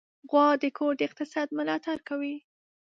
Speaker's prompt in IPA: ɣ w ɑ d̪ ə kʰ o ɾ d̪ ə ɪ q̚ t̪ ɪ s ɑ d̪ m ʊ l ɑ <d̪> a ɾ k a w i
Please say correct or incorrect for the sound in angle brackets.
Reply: incorrect